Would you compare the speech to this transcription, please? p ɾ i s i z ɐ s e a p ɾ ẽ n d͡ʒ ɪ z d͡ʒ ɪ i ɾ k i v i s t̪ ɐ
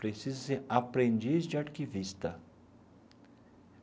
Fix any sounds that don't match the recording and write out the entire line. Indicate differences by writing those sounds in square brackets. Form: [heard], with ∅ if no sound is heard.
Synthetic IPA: p ɾ [e] s i z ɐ s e a p ɾ ẽ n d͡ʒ [i] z d͡ʒ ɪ [a] ɾ k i v i s t̪ ɐ

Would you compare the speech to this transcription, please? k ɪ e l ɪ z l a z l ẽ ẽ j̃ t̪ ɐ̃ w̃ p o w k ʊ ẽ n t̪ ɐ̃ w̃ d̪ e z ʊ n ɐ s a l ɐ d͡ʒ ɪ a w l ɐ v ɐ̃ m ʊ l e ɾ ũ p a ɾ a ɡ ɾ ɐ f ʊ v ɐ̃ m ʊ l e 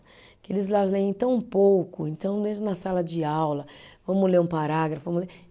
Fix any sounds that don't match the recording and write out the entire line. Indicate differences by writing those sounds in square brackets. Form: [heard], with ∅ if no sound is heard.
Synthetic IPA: k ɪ e l ɪ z l a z l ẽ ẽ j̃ t̪ ɐ̃ w̃ p o w k ʊ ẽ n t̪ ɐ̃ w̃ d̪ e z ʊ n ɐ s a l ɐ d͡ʒ ɪ a w l ɐ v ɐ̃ m ʊ l e ɾ ũ p a ɾ a ɡ ɾ ɐ f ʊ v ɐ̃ m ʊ l e

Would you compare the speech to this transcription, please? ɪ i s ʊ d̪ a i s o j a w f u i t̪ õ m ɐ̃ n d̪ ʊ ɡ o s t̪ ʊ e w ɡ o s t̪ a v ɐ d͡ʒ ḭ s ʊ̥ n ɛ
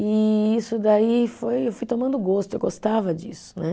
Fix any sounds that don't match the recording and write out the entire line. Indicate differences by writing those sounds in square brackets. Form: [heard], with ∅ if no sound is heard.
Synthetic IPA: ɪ i s ʊ d̪ a i [f] o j [e] w f u [j] t̪ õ m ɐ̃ n d̪ ʊ ɡ o s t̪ ʊ e w ɡ o s t̪ a v ɐ d͡ʒ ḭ s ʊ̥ n ɛ

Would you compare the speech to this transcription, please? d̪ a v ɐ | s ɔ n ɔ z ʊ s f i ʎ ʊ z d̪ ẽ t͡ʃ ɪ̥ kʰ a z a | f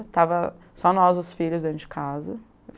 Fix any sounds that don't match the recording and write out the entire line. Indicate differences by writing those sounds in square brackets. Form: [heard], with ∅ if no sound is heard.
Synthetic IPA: [t̪] a v ɐ | s ɔ n ɔ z ʊ s f i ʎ ʊ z d̪ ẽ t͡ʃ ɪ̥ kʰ a z [ɐ] | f

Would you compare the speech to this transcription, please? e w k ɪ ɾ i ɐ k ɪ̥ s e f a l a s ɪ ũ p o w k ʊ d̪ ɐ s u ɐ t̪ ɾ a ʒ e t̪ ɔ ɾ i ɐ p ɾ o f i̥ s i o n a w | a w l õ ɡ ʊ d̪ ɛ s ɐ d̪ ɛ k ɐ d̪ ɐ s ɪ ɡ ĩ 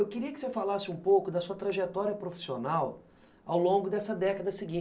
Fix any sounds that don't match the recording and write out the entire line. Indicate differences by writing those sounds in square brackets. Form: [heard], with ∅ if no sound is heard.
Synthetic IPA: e w k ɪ ɾ i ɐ k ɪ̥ s e f a l a s ɪ ũ p o w k ʊ d̪ ɐ s u ɐ t̪ ɾ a ʒ e t̪ ɔ ɾ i ɐ p ɾ o f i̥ s i o n a w | a w l õ ɡ ʊ d̪ ɛ s ɐ d̪ ɛ k ɐ d̪ ɐ s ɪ ɡ ĩ

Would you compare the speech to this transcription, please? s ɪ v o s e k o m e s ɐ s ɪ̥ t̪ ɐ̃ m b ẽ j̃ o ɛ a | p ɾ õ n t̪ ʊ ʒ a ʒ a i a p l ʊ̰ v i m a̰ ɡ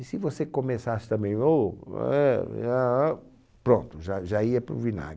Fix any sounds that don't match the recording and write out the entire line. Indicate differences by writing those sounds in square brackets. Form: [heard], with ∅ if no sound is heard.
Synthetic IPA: s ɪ v o s e k o m e s [a] s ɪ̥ t̪ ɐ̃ m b ẽ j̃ o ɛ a | p ɾ õ n t̪ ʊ ʒ a ʒ a i [ɐ] p [ɾ] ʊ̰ v i [n] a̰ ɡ

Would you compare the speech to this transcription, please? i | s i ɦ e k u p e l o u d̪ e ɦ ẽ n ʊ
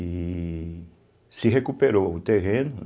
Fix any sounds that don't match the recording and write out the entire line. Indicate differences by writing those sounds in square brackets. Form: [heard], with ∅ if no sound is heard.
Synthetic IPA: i | s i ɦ e k u p e [ɾ] o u [t̪] e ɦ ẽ n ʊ

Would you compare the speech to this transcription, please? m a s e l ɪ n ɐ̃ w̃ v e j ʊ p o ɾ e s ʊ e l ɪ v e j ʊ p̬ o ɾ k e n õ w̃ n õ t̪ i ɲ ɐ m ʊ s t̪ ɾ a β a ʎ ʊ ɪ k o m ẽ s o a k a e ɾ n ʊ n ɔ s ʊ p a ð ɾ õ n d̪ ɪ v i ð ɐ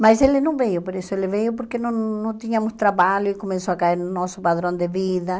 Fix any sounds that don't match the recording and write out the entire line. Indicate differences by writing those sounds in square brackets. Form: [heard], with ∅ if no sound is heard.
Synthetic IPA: m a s e l ɪ n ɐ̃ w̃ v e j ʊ p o ɾ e s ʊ e l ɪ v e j ʊ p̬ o ɾ k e n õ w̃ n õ t̪ i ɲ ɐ m ʊ s t̪ ɾ a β a ʎ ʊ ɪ k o m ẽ s o a k a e ɾ n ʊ n ɔ s ʊ p a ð ɾ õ n d̪ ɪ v i ð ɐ

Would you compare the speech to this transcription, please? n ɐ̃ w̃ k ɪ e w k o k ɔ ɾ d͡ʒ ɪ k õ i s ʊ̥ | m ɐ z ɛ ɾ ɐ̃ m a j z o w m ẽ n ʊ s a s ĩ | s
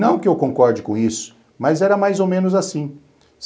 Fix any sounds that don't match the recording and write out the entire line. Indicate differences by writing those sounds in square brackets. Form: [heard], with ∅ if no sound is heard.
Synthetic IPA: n ɐ̃ w̃ k ɪ e w k [õ] k ɔ ɾ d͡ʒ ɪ k õ i s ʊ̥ | m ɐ z ɛ ɾ [ɐ] m a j z o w m ẽ n ʊ [z] a s ĩ | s

